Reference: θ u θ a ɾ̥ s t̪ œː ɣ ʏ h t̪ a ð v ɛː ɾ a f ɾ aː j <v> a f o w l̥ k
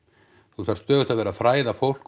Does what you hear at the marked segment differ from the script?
yes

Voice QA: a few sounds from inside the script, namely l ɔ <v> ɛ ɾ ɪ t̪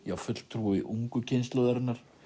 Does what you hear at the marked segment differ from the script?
yes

